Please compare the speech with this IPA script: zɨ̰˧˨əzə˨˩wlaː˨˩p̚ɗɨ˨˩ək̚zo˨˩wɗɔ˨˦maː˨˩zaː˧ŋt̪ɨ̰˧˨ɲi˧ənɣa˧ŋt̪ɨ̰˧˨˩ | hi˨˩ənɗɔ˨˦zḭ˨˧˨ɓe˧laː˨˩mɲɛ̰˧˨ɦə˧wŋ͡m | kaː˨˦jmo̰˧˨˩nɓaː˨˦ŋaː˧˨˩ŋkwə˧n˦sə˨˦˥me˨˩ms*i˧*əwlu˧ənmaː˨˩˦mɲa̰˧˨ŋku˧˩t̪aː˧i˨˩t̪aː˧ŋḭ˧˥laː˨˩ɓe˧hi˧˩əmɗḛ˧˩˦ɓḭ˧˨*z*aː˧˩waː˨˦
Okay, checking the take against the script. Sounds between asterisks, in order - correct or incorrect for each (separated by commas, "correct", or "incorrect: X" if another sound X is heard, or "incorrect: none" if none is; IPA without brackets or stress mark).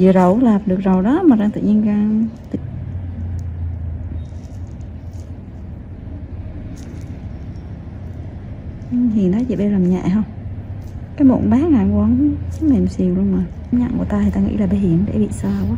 incorrect: i˨˩, incorrect: s